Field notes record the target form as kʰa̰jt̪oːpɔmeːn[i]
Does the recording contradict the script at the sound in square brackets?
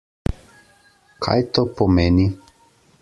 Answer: no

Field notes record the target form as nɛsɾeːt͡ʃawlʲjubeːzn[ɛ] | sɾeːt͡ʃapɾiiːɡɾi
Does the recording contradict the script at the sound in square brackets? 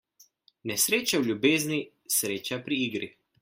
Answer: yes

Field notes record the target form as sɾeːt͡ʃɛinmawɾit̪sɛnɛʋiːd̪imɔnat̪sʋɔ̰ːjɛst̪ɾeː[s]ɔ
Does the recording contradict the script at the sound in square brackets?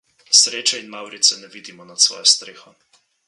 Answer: yes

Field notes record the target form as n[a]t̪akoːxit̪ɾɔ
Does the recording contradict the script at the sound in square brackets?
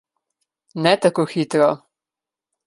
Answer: yes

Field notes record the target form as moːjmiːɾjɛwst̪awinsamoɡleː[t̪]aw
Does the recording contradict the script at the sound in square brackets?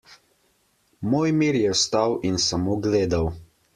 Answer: yes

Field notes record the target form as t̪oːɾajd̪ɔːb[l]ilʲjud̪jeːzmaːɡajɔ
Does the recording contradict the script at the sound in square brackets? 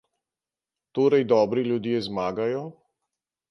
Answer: yes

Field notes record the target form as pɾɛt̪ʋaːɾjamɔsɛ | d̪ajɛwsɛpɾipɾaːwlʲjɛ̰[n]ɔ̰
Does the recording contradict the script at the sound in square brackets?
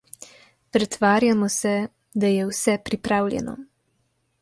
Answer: no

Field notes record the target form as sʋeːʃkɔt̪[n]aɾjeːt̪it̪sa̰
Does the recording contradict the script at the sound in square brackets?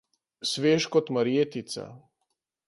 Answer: yes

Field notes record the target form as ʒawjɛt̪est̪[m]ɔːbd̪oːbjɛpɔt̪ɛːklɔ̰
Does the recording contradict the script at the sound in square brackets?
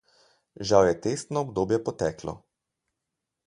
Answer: yes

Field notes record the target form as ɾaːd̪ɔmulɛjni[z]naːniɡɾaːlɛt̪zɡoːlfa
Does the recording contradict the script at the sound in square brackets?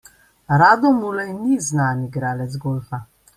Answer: no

